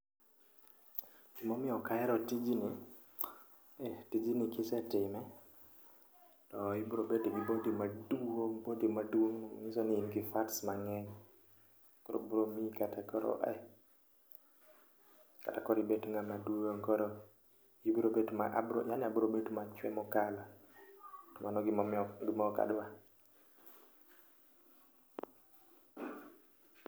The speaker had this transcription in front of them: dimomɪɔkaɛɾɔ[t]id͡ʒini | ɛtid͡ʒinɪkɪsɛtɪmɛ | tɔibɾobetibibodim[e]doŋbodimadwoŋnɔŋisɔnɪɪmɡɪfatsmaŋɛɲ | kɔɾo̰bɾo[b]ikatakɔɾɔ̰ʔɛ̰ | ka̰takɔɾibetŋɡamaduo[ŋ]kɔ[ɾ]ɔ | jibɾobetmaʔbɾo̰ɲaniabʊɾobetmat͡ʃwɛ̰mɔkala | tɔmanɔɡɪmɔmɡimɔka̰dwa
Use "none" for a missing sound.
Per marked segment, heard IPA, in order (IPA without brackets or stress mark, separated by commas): t, a, m, ŋ, ɾ